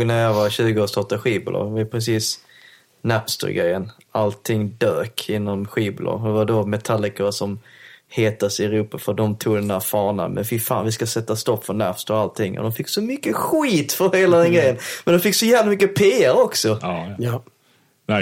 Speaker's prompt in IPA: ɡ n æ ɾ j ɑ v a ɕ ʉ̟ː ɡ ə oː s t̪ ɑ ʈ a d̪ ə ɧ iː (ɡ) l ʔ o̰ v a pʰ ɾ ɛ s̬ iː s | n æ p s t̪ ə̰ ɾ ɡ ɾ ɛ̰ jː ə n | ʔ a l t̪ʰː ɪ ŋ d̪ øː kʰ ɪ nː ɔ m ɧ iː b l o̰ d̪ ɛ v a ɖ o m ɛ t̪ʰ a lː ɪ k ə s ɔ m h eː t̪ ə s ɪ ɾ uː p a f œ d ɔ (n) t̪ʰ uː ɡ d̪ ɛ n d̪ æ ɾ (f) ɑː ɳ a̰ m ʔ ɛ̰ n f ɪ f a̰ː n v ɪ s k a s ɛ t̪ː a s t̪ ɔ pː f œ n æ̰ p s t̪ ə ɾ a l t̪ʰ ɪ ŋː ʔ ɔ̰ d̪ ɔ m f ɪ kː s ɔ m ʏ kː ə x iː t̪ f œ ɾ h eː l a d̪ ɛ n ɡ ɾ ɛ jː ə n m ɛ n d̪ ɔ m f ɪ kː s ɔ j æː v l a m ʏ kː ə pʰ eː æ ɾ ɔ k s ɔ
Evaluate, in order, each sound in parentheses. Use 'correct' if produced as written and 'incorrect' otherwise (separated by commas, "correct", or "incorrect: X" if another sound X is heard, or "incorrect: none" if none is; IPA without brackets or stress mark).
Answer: incorrect: b, incorrect: m, correct